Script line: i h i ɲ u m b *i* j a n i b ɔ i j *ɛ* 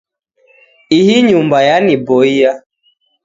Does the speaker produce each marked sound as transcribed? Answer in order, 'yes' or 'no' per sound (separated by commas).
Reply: no, no